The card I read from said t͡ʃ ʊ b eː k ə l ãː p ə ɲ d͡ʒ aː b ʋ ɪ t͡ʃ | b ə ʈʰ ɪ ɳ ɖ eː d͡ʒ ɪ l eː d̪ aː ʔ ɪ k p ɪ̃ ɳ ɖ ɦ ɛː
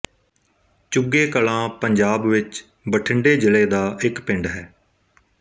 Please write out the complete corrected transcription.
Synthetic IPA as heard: t͡ʃ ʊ ɡ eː k ə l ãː p ə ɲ d͡ʒ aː b ʋ ɪ t͡ʃ | b ə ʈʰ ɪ ɳ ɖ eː d͡ʒ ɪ l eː d̪ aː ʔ ɪ k p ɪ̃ ɳ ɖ ɦ ɛː